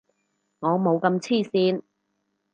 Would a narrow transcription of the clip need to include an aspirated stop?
yes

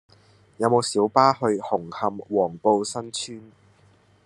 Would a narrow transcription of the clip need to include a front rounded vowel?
yes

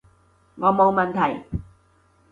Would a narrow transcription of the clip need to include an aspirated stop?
yes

